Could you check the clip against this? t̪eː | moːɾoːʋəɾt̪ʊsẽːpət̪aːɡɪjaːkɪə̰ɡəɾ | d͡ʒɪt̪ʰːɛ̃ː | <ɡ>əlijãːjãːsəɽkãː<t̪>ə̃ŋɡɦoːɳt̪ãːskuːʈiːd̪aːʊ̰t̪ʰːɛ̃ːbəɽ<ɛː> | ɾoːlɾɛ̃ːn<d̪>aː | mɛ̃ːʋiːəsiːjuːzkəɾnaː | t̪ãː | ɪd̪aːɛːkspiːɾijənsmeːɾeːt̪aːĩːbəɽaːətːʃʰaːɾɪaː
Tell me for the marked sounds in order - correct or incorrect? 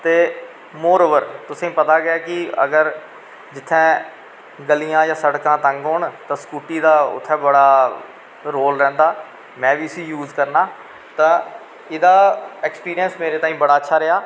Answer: correct, correct, incorrect, correct

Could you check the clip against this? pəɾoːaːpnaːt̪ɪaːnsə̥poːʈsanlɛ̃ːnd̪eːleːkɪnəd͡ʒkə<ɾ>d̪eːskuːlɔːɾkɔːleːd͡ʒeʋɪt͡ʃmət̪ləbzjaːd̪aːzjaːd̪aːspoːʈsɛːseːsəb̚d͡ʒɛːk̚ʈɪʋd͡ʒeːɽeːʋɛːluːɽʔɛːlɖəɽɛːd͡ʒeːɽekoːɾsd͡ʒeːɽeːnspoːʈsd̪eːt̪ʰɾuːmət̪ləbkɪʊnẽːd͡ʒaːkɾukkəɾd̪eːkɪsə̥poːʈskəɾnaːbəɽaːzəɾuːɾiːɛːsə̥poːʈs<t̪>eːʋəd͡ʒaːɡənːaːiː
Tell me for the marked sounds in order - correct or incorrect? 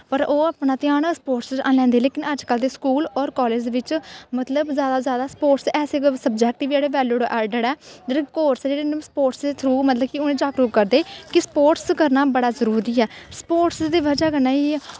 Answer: incorrect, incorrect

